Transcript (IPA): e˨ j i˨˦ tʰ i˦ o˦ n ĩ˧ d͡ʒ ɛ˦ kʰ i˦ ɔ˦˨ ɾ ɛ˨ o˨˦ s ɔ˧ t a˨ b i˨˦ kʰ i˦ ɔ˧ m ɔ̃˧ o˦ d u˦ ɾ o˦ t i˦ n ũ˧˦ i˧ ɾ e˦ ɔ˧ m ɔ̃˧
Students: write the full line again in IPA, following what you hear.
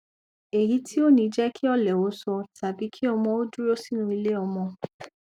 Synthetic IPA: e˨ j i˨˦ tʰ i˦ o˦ n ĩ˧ d͡ʒ ɛ˦ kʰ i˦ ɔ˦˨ l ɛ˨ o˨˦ s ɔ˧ t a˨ b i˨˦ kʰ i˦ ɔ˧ m ɔ̃˧ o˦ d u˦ ɾ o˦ s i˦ n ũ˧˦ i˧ l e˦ ɔ˧ m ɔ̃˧